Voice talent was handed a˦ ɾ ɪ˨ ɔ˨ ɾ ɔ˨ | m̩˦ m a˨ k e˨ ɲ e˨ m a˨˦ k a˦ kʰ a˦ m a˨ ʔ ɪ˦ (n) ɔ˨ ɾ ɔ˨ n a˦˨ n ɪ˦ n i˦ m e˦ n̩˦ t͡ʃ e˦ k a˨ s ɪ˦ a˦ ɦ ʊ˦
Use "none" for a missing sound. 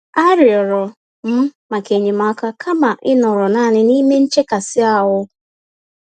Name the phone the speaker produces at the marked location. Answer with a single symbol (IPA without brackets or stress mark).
n